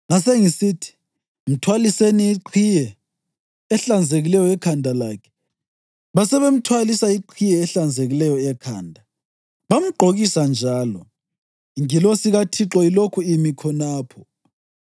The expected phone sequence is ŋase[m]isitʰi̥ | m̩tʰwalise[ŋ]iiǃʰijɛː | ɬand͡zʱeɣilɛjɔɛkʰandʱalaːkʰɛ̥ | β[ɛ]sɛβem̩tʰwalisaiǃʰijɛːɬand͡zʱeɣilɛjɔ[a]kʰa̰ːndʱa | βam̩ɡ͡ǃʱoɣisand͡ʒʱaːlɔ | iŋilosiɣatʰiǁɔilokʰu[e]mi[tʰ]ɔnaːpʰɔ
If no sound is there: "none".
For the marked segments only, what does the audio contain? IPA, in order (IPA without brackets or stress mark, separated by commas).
ŋ, n, a, ɛ, i, kʰ